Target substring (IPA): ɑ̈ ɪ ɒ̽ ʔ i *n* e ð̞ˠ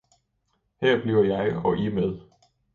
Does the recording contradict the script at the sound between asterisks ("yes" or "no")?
yes